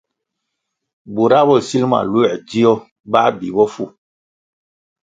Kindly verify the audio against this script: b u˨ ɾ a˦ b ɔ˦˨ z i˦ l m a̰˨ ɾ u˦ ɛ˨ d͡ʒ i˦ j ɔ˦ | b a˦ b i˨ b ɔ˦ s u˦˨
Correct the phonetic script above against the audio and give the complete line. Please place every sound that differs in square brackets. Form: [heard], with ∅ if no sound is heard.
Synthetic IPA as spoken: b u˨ ɾ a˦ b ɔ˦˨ [s] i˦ l m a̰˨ [l] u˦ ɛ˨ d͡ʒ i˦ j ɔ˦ | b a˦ b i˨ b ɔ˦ [f] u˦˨